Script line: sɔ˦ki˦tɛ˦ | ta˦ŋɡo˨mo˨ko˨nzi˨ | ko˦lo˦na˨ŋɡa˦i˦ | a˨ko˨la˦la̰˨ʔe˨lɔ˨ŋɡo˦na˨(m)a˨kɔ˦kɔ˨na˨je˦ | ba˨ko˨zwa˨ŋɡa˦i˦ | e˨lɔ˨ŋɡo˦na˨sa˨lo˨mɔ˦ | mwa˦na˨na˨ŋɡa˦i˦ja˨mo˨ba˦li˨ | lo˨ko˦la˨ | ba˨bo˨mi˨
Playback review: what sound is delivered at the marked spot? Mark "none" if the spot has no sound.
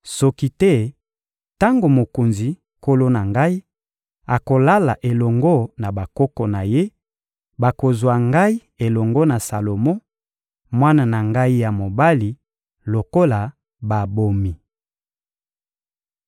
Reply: b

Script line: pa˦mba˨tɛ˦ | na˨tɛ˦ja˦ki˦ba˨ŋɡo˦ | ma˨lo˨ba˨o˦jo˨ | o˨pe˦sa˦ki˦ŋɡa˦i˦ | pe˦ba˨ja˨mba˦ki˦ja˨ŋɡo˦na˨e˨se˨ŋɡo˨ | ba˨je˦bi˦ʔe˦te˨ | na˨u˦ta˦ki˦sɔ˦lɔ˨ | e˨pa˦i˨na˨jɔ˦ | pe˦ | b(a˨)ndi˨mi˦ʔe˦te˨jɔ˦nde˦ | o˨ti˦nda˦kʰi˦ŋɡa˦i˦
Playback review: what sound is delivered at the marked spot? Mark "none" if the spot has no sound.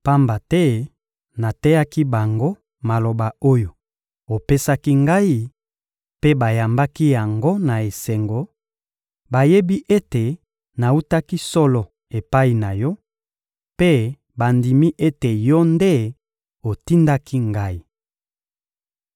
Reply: a˨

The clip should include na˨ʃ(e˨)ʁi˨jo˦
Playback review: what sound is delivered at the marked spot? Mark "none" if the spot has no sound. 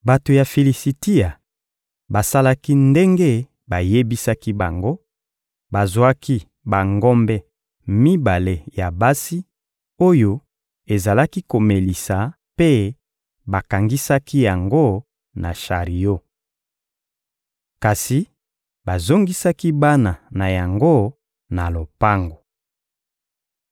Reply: a˨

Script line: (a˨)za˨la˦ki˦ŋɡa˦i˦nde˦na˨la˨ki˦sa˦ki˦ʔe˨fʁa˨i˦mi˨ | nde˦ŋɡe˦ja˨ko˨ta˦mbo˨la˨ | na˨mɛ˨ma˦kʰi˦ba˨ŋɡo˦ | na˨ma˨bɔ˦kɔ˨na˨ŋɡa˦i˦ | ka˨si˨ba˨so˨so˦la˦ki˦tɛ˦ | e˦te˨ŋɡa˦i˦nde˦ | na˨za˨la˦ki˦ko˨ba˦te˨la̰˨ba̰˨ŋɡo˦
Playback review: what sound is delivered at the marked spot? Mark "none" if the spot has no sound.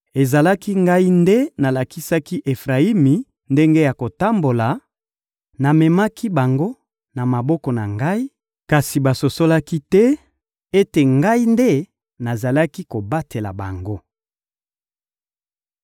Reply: e˨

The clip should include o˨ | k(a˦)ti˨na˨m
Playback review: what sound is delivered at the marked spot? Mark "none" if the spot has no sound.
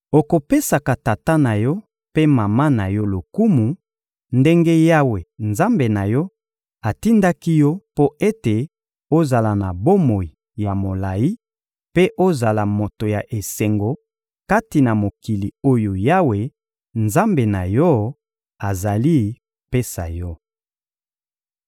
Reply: a˦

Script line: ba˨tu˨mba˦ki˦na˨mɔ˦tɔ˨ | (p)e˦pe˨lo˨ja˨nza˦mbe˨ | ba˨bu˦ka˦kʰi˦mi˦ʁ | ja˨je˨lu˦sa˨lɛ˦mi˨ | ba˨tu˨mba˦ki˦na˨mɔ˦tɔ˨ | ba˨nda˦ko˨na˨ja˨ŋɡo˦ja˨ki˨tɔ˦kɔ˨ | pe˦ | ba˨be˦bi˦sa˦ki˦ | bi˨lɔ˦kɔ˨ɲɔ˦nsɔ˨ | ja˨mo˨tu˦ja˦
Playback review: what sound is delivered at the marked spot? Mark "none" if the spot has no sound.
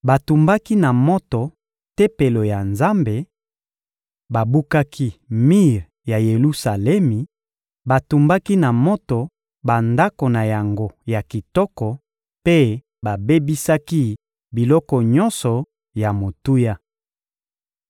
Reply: t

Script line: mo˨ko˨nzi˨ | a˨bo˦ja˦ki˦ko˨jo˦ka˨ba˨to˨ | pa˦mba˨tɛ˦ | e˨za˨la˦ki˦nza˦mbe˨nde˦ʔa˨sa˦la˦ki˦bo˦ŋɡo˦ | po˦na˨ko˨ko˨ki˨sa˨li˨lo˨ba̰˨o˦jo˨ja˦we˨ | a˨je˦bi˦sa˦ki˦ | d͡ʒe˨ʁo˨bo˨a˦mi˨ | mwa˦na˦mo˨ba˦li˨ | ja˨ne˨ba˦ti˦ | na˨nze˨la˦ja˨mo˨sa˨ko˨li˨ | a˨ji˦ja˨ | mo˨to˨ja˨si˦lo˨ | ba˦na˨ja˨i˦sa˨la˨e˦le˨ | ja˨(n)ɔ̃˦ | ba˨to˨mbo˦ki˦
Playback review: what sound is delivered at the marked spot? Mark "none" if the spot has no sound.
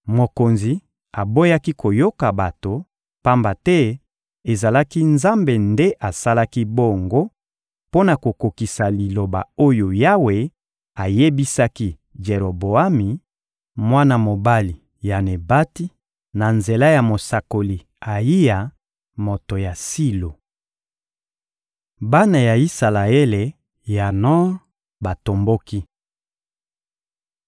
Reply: n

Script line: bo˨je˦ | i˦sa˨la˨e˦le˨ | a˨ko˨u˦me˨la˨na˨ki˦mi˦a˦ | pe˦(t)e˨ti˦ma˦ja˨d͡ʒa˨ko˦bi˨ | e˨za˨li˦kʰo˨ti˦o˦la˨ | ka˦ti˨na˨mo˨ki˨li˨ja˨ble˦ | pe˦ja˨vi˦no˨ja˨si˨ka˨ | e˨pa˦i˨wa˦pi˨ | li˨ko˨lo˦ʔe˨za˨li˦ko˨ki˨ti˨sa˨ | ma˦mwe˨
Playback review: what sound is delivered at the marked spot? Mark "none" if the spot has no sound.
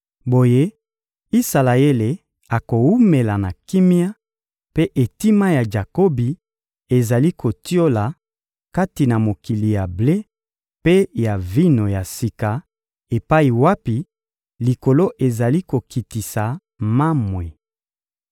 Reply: ʔ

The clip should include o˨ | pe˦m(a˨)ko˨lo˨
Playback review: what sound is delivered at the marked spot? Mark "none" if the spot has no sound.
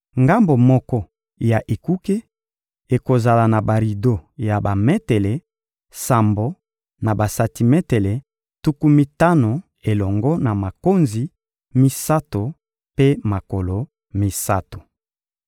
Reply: a˨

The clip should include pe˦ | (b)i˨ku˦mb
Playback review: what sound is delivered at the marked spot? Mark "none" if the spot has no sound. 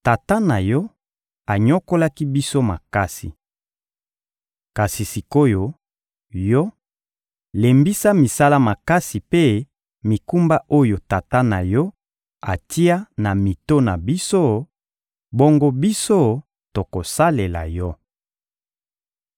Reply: m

